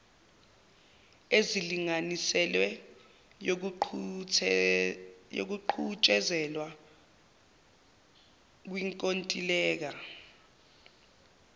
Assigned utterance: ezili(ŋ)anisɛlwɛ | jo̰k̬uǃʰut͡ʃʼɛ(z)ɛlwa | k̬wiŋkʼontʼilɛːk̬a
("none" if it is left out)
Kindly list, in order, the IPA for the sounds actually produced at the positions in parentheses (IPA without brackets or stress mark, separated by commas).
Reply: ŋ, z